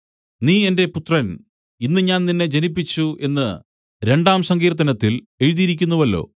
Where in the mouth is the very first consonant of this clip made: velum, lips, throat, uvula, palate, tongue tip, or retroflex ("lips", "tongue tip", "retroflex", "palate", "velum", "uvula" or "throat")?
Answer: tongue tip